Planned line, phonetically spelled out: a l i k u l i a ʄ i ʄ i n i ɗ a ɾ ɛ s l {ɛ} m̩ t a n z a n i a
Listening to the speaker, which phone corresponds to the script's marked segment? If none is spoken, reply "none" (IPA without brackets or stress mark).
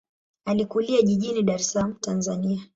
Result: a